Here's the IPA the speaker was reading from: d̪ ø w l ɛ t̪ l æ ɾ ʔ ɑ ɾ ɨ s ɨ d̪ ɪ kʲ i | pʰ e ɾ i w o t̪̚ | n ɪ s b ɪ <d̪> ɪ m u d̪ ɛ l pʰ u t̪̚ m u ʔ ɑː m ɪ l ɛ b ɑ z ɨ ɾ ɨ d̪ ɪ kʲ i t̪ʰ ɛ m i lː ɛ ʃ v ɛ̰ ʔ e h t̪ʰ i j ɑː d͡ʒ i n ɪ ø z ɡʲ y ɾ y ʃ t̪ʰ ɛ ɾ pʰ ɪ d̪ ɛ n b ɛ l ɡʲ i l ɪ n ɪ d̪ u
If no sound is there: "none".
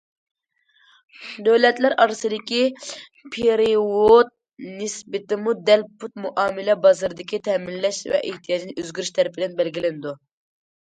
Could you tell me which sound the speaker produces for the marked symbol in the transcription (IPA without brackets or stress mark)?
t̪